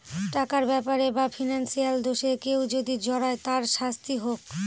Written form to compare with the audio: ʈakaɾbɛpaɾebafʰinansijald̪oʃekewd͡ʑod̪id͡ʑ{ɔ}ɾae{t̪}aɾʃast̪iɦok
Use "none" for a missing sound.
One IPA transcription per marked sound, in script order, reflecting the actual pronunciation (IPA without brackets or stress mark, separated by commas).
ɔ, t̪